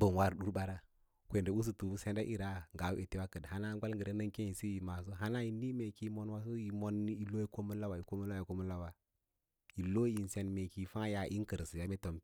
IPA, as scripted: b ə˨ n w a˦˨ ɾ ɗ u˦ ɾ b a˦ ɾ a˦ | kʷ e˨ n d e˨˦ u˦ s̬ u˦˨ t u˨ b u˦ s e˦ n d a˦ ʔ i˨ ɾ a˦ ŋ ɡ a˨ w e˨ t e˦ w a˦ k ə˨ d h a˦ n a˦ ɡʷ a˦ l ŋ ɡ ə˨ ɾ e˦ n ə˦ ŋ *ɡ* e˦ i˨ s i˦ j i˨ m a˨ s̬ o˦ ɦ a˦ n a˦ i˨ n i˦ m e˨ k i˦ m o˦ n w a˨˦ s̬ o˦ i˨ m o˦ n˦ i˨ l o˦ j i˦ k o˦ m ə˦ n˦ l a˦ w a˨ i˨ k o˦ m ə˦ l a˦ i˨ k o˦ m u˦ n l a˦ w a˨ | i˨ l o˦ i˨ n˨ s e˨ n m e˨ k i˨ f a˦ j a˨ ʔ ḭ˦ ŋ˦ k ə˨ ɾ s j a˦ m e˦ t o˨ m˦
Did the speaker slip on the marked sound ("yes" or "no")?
yes